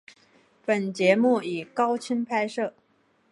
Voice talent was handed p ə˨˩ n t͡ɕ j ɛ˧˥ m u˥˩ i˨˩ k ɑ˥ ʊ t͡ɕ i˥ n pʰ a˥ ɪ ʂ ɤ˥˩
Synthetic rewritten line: p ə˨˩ n t͡ɕ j ɛ˧˥ m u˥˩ i˨˩ k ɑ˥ ʊ t͡ɕʰ i˥ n pʰ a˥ ɪ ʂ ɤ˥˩